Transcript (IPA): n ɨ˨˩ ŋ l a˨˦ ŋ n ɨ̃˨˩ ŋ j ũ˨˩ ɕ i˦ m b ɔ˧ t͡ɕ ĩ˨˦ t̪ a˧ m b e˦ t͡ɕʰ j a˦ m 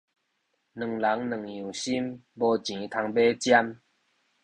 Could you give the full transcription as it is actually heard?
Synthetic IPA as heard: n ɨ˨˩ ŋ l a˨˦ ŋ n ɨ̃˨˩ ŋ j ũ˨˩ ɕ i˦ m b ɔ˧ t͡ɕ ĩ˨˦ t̪ʰ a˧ ŋ b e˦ t͡ɕ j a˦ m